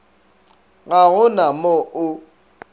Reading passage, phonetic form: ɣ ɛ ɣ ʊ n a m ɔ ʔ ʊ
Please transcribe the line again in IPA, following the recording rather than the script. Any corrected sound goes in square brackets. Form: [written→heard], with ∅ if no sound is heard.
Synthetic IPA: ɣ [ɛ→a] ɣ ʊ n a m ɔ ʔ ʊ